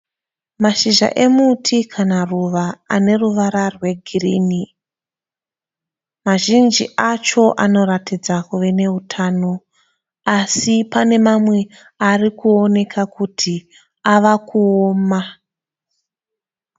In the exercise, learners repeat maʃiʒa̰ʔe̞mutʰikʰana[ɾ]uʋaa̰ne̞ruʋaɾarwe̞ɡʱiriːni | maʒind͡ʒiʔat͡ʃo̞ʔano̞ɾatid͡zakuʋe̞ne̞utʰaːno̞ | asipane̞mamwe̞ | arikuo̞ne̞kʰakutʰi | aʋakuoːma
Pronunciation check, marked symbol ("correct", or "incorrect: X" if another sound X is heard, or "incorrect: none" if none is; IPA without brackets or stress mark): incorrect: r